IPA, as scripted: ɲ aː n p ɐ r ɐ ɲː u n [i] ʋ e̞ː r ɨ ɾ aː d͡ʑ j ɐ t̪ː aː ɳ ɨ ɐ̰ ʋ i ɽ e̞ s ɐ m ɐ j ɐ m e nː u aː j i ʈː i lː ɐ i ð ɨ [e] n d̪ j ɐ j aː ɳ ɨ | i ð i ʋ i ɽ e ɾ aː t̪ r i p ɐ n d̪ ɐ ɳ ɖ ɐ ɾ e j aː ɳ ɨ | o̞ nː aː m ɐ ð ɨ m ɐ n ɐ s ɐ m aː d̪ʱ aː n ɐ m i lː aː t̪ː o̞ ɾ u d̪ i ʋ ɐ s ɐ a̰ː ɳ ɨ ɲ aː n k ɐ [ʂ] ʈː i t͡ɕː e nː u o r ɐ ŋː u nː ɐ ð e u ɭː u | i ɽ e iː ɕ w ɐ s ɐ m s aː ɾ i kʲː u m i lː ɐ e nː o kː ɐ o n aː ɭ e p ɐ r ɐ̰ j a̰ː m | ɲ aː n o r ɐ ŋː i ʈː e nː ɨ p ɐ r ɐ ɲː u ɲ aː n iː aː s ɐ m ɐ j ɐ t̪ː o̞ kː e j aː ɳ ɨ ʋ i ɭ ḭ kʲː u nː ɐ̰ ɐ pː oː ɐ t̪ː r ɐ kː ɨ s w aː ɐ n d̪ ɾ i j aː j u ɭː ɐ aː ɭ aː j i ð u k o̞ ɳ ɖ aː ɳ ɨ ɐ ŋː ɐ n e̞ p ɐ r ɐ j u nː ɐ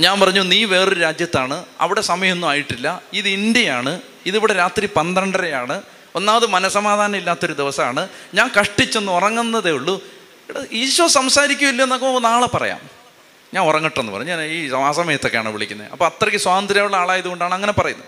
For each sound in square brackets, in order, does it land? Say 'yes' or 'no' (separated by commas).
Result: no, no, yes